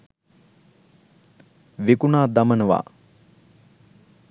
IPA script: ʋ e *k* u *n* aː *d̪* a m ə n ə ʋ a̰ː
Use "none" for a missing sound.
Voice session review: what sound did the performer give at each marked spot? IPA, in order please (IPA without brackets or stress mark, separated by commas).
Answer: k, n, d̪